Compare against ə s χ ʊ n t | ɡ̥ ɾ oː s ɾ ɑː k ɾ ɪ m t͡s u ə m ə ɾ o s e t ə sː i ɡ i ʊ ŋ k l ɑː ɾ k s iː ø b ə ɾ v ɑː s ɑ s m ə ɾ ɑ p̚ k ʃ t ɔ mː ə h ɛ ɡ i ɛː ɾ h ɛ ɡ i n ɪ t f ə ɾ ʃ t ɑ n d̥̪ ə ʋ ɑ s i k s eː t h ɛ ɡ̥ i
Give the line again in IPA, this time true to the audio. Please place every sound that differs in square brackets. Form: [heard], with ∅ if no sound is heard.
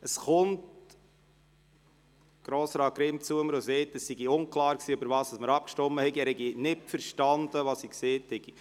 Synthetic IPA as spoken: ə s χ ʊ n t | ɡ̥ ɾ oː s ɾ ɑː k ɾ ɪ m t͡s u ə m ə ɾ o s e t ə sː i ɡ i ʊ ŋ k l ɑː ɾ k s iː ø b ə ɾ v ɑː s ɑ s m ə ɾ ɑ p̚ k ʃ t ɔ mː ə h ɛ ɡ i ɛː ɾ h ɛ ɡ i n ɪ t f ə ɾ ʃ t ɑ n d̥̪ ə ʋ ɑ s i k s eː t h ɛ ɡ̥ i